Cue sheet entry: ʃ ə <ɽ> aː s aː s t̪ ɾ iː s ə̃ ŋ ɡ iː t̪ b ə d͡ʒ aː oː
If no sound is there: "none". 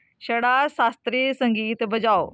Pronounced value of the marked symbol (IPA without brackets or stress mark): ɽ